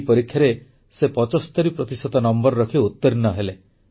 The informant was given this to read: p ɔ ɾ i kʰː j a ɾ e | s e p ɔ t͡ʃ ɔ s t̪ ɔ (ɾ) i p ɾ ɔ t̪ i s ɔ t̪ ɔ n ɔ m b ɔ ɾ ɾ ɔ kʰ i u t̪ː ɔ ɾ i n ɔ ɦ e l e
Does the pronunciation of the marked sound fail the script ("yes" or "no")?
no